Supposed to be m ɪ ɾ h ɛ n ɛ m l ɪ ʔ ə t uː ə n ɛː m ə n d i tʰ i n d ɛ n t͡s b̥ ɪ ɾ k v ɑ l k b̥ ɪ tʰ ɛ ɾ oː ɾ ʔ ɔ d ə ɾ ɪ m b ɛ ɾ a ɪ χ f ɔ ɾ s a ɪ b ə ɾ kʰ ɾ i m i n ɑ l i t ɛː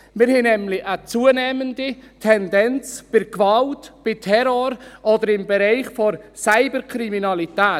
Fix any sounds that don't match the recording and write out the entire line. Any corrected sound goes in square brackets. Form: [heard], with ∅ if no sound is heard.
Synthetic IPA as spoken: m ɪ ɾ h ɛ n ɛ m l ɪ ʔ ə [t͡s] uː ə n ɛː m ə n d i tʰ [ɛ] n d ɛ n t͡s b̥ ɪ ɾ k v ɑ l [t] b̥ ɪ tʰ ɛ ɾ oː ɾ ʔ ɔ d ə ɾ ɪ m b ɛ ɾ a ɪ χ f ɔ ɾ s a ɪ b ə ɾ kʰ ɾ i m i n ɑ l i t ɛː